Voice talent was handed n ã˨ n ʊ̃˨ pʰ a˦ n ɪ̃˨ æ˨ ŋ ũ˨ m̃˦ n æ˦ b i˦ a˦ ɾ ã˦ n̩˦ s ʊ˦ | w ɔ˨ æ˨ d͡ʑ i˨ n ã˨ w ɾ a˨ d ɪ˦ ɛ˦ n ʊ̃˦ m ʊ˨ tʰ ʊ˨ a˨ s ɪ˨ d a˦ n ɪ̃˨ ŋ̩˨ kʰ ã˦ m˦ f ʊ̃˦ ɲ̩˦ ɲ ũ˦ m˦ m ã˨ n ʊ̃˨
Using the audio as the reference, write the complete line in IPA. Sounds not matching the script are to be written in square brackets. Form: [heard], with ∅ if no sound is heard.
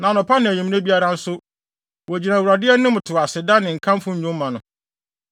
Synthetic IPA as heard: n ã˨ n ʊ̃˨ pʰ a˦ n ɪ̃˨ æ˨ [ɲ] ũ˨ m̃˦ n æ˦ b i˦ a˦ ɾ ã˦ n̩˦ s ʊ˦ | w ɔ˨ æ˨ d͡ʑ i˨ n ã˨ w ɾ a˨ d ɪ˦ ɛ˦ n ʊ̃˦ m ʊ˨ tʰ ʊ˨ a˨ s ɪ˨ d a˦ n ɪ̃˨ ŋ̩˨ kʰ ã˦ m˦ f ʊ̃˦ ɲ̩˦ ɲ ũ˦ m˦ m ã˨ n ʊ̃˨

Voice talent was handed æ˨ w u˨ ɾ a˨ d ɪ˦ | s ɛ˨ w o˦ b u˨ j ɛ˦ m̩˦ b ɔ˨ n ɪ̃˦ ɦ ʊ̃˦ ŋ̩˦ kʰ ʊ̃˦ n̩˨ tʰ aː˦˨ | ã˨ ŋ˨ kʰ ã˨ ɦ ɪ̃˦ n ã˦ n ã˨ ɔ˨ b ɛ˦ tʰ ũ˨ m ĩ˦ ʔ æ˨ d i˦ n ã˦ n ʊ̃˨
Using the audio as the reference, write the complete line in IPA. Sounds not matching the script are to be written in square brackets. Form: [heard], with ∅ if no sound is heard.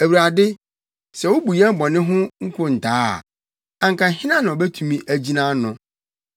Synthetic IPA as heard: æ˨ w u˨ ɾ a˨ d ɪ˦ | s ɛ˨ w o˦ b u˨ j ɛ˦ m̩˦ b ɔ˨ n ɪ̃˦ ɦ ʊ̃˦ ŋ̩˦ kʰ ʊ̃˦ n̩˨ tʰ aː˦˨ | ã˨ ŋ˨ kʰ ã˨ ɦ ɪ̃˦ n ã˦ n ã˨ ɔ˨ b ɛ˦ tʰ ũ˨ m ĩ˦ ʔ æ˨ [d͡ʑ] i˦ n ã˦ n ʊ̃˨

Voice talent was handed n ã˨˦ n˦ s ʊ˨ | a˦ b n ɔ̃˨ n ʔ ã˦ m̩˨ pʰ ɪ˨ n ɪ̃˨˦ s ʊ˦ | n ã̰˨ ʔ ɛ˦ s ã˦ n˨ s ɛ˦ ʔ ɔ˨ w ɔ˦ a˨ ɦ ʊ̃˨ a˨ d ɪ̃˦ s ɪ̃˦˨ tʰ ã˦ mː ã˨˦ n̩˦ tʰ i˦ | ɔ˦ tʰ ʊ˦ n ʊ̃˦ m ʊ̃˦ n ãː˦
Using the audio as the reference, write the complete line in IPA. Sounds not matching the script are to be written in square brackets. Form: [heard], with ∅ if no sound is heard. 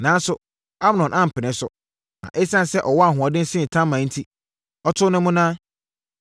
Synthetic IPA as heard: n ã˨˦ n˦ s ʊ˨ | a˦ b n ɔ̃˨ n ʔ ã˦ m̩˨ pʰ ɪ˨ n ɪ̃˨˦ s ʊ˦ | n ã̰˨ ʔ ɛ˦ s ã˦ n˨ s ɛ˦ ʔ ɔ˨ w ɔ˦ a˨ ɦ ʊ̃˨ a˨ d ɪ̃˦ s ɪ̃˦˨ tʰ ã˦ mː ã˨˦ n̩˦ tʰ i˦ | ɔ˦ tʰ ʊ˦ n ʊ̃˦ m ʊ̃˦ n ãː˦

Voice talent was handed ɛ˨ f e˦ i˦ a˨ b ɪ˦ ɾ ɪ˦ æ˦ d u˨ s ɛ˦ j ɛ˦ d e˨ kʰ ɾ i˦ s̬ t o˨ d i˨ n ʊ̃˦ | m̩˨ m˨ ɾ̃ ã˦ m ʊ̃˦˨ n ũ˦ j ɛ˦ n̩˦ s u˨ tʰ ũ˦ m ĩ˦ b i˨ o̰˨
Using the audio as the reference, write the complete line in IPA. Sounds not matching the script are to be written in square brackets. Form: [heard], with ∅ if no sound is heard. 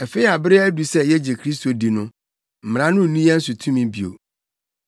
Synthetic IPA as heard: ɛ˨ f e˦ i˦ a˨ b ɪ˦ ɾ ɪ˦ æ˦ d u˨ s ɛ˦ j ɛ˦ [d͡ʑ] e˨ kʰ ɾ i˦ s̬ t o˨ d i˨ n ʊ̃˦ | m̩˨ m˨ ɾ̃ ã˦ [n] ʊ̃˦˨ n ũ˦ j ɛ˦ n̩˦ s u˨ tʰ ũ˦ m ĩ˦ b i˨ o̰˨

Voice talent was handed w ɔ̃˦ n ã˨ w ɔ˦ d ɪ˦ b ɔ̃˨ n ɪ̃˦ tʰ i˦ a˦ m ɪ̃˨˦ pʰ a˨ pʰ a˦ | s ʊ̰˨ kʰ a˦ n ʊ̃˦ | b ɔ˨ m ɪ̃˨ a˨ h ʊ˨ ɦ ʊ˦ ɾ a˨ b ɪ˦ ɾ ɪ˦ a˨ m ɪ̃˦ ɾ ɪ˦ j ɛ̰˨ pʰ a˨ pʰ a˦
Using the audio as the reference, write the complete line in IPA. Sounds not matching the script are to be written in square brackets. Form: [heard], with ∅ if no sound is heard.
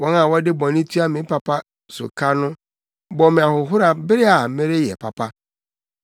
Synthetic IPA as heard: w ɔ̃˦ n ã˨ w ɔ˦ d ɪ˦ b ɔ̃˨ n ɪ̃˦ tʰ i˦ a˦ m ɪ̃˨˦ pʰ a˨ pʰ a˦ | s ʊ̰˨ kʰ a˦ n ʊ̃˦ | b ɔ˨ m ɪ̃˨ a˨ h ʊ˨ ɦ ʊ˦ ɾ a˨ b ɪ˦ ɾ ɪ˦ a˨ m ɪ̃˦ ɾ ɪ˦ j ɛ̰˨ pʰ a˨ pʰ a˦

